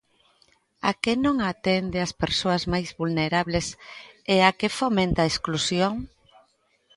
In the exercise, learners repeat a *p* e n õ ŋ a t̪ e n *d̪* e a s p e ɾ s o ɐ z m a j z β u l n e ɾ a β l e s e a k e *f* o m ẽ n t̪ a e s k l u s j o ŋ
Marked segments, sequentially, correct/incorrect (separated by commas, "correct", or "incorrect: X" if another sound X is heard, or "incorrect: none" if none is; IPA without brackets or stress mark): incorrect: k, correct, correct